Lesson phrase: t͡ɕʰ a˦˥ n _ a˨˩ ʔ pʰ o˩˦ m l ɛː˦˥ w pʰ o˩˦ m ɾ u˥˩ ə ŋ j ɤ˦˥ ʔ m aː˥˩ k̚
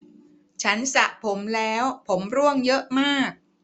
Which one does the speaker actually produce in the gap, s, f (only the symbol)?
s